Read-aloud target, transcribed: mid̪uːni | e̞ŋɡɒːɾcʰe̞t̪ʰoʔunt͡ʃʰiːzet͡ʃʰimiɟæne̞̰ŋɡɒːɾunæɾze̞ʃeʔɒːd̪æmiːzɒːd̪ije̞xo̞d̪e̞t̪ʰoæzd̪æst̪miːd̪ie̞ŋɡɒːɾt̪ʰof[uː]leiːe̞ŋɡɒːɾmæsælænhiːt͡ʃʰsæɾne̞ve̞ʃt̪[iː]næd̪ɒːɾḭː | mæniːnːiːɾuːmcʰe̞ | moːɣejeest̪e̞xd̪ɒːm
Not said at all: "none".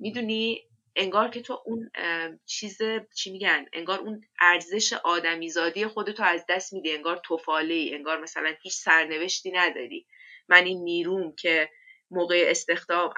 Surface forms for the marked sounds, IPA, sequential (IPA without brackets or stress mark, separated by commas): ɒː, iː